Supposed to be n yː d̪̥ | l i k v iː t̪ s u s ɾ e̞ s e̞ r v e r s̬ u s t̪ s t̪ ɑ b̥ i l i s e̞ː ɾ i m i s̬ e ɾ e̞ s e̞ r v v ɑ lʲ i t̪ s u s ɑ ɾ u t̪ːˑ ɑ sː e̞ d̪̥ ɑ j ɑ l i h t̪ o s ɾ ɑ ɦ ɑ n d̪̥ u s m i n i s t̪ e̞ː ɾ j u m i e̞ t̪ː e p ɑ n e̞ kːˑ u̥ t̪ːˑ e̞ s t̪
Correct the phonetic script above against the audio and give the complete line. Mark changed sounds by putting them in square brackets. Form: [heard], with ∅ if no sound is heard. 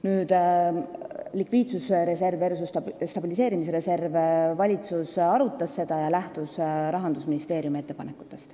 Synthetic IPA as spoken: n yː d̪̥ | l i k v iː t̪ s u s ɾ e̞ s e̞ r v e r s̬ u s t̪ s t̪ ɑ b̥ i l i s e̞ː ɾ i m i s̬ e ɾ e̞ s e̞ r v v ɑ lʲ i t̪ s u s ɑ ɾ u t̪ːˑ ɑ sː e̞ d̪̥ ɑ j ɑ l [æ] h t̪ [u] s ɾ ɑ ɦ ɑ n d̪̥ u s m i n i s t̪ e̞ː ɾ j u m i e̞ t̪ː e p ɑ n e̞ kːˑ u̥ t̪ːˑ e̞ s t̪